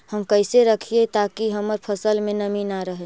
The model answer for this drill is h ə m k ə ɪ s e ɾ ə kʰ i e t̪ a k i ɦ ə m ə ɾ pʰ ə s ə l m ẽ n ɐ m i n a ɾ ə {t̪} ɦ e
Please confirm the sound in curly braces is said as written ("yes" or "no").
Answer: no